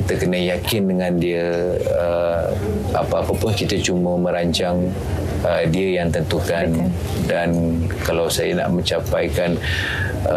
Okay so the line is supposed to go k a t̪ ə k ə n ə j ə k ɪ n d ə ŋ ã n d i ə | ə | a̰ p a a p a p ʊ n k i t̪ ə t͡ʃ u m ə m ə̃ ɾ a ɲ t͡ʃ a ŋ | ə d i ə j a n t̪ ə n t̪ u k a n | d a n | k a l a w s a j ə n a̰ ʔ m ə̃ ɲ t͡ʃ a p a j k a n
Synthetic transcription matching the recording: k i t̪ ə k ə n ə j a k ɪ n d ə ŋ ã n d i ə | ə | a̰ p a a p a p ʊ n k i t̪ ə t͡ʃ u m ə m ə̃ ɾ a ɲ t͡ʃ a ŋ | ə d i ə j a ŋ t̪ ə n t̪ u k a n | d a n | k a l a w s a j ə n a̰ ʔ m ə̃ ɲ t͡ʃ a p a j k a n